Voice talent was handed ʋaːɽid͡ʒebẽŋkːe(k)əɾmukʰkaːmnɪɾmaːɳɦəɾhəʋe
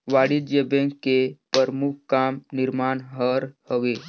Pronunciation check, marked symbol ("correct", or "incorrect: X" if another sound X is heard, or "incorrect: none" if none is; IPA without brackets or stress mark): incorrect: p